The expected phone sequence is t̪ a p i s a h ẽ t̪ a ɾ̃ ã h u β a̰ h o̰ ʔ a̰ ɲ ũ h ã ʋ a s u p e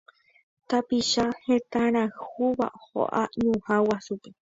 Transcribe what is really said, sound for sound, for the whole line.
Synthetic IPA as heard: t̪ a p i ʃ a h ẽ t̪ a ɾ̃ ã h u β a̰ h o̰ ʔ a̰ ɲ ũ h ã w a s u p e